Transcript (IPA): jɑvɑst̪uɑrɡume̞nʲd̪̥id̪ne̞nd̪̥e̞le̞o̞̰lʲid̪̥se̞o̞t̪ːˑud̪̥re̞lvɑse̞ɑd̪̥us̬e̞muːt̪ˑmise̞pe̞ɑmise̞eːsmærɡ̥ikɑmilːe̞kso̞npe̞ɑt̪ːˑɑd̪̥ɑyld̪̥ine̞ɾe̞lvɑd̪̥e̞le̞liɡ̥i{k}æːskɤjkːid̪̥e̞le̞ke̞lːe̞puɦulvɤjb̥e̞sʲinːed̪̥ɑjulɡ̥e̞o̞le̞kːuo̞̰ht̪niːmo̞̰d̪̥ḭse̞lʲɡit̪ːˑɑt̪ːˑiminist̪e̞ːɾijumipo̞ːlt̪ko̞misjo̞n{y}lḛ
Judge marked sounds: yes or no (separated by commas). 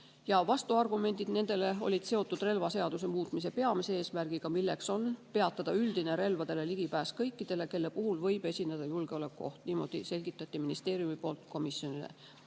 no, no